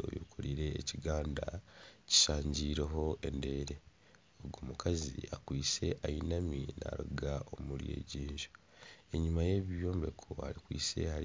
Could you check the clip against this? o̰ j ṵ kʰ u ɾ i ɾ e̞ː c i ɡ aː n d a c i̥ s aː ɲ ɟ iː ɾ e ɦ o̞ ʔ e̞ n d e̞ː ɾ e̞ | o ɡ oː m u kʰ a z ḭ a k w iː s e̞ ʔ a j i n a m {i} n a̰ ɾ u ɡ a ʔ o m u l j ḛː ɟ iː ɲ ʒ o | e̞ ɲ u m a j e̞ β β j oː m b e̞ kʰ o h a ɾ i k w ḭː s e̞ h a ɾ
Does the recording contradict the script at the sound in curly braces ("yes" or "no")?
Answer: no